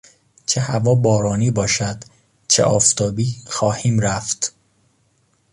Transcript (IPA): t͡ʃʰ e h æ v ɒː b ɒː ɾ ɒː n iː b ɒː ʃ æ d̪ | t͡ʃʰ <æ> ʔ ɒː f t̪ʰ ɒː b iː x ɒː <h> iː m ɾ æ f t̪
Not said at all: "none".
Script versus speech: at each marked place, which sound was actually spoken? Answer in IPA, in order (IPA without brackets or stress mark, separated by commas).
e, h